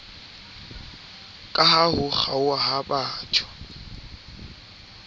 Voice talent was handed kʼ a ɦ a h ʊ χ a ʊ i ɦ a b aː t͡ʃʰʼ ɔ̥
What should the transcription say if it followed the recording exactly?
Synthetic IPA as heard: kʼ a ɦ a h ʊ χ a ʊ a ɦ a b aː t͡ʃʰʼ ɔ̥